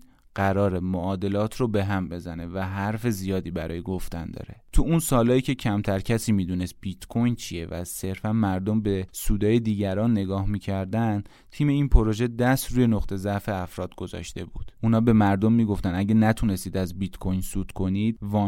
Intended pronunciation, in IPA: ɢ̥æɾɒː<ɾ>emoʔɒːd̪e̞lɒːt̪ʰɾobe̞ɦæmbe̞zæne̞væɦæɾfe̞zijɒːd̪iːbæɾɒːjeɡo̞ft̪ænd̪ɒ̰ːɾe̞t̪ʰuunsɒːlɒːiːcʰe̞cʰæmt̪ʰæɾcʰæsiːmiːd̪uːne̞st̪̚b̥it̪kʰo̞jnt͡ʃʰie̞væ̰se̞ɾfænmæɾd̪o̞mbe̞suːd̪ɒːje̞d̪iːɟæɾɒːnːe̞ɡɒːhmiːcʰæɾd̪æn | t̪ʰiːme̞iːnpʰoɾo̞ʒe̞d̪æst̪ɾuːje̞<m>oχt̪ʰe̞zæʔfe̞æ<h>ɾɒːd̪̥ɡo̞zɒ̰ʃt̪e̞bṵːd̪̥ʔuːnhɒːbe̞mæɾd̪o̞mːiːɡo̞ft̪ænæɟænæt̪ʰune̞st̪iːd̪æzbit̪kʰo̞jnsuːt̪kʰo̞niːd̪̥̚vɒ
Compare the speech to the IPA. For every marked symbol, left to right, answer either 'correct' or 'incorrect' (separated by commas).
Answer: correct, incorrect, incorrect